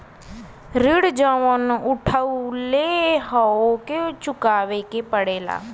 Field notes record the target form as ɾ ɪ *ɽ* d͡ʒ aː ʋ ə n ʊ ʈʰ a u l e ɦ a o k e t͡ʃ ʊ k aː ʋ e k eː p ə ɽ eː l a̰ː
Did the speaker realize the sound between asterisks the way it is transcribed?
yes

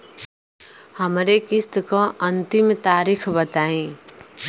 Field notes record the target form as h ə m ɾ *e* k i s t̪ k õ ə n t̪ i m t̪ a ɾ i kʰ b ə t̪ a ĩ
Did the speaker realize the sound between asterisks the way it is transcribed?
yes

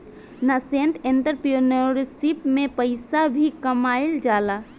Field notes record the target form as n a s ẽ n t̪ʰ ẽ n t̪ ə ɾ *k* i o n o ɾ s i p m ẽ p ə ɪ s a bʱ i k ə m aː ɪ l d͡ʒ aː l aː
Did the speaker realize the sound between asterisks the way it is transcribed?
no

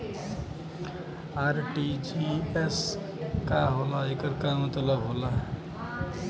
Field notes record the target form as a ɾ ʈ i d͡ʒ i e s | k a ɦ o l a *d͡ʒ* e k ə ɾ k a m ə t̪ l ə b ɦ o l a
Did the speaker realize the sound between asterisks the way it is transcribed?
no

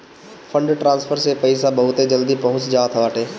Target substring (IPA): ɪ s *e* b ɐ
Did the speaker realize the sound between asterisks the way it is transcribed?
no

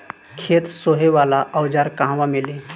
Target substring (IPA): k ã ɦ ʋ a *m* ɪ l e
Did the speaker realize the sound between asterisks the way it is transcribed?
yes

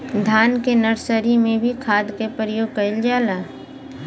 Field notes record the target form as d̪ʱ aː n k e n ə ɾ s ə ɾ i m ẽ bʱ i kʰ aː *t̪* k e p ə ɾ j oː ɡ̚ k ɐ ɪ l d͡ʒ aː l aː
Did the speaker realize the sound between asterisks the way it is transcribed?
no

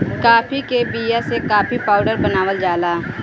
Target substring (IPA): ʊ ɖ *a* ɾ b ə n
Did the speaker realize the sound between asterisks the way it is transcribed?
no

